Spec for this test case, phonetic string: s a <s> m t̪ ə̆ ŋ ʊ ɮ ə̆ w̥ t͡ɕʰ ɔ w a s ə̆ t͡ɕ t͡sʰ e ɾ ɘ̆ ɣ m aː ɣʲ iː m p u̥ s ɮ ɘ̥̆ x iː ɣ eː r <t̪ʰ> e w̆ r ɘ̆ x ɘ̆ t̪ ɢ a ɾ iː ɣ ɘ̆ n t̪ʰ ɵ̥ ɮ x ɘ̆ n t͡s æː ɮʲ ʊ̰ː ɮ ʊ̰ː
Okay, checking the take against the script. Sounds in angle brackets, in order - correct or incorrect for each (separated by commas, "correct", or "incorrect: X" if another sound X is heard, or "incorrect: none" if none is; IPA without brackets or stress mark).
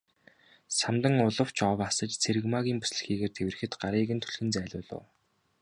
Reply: incorrect: none, correct